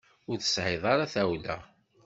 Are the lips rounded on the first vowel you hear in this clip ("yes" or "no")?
yes